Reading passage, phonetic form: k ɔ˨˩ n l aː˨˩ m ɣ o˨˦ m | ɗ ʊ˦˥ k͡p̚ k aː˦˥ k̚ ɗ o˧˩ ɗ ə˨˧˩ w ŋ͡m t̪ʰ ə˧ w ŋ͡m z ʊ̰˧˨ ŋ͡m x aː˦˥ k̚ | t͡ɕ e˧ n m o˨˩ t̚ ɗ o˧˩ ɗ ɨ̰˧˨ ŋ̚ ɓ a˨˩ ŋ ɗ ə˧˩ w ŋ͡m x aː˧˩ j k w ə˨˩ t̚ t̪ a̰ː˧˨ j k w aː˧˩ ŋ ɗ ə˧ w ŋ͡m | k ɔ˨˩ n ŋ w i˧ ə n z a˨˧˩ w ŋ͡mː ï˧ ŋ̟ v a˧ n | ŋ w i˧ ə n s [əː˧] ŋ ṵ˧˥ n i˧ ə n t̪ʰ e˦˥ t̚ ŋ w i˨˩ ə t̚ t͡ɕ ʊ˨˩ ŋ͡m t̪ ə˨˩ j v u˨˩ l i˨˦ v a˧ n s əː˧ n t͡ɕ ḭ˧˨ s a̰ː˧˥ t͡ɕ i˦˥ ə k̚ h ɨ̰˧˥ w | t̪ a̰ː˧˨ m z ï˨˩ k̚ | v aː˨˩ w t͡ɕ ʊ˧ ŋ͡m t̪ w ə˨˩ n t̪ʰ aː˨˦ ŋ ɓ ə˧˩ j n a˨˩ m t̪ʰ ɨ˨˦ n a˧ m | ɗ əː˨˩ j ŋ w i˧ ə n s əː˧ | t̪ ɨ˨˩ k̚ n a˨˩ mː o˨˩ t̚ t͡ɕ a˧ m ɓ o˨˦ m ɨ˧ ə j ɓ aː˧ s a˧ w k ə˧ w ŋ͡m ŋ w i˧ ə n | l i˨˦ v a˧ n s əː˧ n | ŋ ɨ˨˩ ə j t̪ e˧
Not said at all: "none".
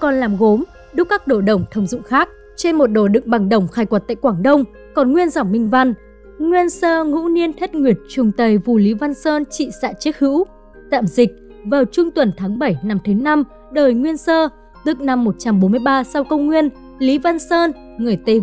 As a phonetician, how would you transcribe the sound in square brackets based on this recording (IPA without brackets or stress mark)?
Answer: əː˧